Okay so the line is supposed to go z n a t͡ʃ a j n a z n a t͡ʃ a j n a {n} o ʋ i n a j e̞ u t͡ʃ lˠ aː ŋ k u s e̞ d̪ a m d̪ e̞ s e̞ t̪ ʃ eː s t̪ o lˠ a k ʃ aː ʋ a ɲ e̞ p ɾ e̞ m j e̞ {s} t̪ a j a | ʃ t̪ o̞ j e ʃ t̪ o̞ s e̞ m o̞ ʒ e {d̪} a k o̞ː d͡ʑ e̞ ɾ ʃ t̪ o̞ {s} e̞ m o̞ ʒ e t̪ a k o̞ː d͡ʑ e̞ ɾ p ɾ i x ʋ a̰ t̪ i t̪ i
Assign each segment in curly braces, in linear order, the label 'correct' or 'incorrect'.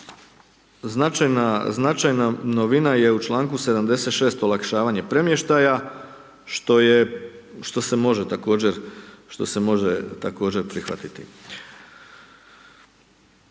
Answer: correct, incorrect: ʃ, incorrect: t̪, correct

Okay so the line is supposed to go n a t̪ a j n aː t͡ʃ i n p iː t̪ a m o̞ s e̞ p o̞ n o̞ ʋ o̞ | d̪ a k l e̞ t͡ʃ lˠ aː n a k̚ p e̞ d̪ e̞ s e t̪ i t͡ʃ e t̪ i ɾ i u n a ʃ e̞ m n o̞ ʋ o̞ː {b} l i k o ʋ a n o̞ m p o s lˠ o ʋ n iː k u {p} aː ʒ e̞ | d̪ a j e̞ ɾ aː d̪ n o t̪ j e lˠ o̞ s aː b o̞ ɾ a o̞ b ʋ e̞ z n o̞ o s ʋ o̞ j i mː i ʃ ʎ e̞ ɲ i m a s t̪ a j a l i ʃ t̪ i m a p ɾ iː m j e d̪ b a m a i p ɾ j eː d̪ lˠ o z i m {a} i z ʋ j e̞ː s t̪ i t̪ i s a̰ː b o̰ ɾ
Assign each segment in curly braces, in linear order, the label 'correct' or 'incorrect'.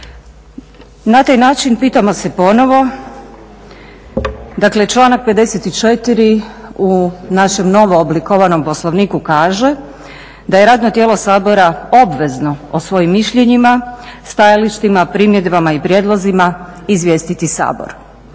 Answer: correct, incorrect: k, correct

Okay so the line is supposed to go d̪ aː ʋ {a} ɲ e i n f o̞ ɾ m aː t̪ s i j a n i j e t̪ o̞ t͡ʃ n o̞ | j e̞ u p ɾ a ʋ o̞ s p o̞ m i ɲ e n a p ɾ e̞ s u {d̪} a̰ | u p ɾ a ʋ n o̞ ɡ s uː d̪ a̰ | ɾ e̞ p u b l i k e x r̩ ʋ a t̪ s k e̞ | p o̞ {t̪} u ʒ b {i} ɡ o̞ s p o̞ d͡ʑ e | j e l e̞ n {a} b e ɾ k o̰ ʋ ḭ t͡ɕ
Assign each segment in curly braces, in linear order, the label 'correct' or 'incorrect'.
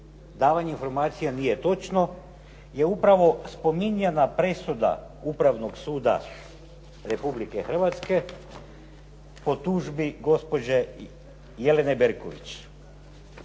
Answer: correct, correct, correct, correct, incorrect: e

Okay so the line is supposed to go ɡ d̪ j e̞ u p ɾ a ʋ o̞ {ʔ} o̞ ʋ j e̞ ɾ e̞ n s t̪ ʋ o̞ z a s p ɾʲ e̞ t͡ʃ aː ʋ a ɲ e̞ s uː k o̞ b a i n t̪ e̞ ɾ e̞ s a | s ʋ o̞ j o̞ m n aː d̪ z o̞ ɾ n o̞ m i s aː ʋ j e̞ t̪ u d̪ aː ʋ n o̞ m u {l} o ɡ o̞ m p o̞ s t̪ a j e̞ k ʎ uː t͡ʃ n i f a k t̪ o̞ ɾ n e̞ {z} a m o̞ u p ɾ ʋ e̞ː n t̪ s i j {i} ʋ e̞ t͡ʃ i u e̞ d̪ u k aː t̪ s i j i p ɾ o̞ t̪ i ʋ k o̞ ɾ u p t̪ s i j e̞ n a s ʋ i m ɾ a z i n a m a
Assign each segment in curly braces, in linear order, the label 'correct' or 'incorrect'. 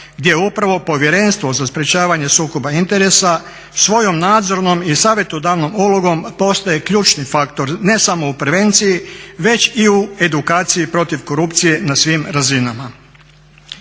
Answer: incorrect: p, correct, incorrect: s, correct

